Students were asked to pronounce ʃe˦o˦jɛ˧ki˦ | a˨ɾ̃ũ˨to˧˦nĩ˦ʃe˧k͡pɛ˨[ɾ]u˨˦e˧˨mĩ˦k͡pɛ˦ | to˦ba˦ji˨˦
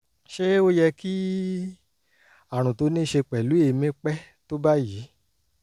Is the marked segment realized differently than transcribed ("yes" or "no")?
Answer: yes